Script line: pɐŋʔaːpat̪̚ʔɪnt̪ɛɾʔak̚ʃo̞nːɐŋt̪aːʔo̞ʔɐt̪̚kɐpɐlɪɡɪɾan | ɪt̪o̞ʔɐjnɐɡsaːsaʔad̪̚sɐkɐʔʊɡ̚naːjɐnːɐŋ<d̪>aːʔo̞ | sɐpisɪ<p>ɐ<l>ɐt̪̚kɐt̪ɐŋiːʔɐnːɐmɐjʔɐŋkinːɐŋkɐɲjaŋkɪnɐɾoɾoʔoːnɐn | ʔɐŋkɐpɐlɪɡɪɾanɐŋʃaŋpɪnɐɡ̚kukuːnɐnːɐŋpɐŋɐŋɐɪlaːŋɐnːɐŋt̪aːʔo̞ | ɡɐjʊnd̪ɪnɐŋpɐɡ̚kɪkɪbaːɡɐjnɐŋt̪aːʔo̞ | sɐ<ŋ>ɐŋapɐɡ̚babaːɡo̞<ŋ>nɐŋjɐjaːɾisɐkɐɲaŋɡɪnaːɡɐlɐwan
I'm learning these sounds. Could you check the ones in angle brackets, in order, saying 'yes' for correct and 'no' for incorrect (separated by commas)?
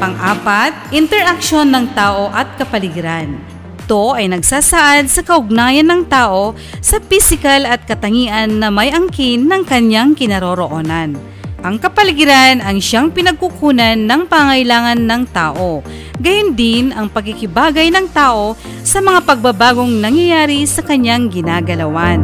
no, no, yes, no, yes